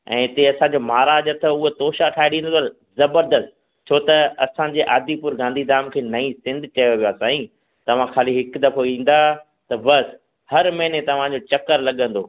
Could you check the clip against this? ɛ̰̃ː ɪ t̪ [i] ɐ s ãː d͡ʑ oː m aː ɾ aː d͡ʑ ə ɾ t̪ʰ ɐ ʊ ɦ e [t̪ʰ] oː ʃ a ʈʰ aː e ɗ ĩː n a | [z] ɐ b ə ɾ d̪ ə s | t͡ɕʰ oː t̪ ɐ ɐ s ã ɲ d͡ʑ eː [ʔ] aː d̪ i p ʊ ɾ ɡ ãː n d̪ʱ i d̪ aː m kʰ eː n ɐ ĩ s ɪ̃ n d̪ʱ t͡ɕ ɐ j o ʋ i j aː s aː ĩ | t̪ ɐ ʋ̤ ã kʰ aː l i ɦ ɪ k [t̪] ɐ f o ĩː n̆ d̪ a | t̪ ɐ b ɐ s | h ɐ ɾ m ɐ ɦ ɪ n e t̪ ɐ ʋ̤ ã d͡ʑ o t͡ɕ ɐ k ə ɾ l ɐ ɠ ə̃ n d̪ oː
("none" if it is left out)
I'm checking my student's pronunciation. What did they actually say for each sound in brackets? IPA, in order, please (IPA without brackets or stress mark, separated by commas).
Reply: e, t̪, z, ʔ, d̪